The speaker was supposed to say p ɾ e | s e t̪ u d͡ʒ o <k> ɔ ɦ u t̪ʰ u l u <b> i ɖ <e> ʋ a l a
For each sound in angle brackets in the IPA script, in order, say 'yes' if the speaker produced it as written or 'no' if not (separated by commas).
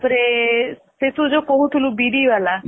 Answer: yes, yes, no